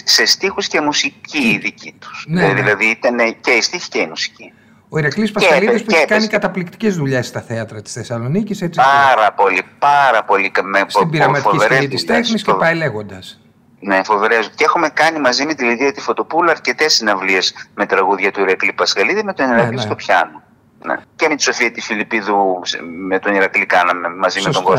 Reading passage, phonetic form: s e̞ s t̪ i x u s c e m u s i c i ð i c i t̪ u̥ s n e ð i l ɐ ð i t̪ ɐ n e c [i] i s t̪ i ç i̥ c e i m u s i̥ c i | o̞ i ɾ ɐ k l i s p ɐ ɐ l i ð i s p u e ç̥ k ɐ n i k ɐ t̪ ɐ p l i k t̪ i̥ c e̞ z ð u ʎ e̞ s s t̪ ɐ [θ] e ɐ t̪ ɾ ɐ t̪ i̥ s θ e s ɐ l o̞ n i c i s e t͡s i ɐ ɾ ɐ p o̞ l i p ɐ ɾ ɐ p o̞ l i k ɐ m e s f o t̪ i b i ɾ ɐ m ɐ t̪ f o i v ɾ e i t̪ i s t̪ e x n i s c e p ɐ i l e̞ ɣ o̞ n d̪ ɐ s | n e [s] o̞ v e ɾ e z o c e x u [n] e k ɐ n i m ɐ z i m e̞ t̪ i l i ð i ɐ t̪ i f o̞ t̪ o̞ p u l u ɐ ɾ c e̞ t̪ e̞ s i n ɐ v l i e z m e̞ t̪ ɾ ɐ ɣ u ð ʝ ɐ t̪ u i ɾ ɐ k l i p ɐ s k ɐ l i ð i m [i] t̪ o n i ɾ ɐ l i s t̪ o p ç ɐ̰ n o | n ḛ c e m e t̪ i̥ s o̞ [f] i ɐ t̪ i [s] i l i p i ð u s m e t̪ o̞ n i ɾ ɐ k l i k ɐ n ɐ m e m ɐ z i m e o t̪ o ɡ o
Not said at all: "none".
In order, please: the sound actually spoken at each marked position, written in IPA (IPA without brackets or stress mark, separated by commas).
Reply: e, θ, f, m, e, f, f